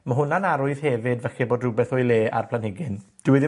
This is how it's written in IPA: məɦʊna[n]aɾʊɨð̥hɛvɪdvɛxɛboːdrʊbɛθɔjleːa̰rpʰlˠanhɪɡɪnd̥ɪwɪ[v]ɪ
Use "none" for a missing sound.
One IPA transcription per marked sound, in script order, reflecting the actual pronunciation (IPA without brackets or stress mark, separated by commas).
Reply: n, ð